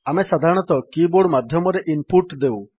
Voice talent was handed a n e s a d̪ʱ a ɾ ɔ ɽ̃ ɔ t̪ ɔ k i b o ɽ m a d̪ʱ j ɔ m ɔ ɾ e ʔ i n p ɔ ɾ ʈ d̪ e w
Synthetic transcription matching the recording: a m e s a d̪ʱ a ɾ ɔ ɽ̃ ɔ t̪ ɔ k i b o ɽ m a d̪ʱ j ɔ m ɔ ɾ e ʔ i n p u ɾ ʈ d̪ e w

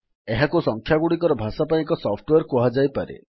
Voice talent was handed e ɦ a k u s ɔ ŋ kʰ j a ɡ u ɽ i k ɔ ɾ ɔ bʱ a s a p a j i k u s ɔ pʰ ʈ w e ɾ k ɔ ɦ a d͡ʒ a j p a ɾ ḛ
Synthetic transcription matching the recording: e ɦ a k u s ɔ ŋ kʰ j a ɡ u ɽ i k ɔ ɾ ɔ bʱ a s a p a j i k ɔ s ɔ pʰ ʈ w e ɾ k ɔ ɦ a d͡ʒ a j p a ɾ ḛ

